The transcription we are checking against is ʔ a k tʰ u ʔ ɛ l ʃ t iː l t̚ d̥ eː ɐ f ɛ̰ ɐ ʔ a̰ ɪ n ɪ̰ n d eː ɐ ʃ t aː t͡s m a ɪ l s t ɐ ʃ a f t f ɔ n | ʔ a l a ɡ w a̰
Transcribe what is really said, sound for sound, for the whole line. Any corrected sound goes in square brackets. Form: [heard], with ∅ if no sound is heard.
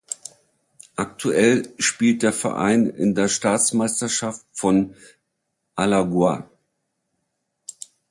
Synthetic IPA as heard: ʔ a k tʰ u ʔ ɛ l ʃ [p] iː l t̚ d̥ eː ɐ f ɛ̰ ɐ ʔ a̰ ɪ n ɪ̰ n d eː ɐ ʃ t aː t͡s m a ɪ [∅] s t ɐ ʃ a f t f ɔ n | ʔ a l a ɡ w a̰